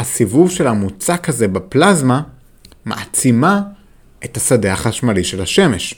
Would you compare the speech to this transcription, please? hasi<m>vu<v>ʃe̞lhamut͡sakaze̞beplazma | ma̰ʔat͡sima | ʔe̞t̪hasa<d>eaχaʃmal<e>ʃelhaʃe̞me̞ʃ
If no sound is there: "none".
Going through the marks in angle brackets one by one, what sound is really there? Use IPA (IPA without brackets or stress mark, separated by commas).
none, v, d, i